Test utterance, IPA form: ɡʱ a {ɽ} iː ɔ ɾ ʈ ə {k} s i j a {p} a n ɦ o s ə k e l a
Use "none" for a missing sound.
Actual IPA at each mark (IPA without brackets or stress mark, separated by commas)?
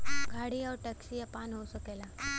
ɽ, k, p